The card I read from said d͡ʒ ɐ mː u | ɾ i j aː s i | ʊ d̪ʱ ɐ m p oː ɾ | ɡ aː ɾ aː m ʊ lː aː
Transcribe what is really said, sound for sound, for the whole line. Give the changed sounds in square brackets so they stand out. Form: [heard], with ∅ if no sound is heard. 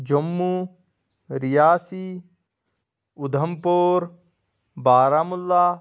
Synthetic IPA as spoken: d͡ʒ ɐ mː u | ɾ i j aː s i | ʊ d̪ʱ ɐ m p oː ɾ | [b] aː ɾ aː m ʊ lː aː